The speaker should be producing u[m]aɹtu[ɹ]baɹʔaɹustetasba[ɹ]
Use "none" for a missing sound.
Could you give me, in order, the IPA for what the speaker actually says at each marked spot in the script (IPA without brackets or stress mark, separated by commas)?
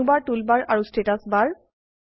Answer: b, l, ɹ